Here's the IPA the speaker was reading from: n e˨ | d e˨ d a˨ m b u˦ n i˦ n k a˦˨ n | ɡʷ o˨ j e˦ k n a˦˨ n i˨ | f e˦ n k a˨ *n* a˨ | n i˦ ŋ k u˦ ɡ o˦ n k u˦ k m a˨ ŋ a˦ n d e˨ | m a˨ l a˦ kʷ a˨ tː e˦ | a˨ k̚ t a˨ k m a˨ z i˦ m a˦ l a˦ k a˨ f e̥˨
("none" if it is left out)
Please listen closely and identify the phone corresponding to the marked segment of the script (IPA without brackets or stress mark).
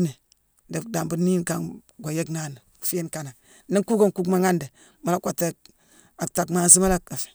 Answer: n